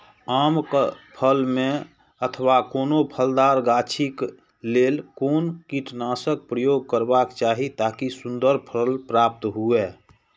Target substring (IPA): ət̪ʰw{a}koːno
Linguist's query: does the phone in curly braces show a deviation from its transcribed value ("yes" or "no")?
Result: no